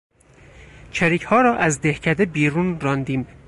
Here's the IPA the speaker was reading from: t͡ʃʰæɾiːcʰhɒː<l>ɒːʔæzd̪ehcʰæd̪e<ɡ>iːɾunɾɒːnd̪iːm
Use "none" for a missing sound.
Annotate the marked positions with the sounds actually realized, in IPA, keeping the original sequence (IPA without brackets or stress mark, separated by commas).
ɾ, b